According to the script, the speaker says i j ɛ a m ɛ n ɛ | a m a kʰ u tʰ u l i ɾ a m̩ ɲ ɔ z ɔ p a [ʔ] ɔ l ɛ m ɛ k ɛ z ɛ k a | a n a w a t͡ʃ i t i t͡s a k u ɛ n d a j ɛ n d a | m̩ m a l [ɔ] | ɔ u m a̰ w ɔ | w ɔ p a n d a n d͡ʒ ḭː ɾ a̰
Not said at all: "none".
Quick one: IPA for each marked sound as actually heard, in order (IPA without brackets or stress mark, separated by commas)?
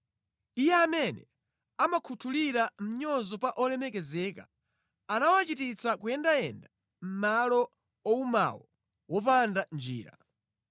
ʔ, ɔ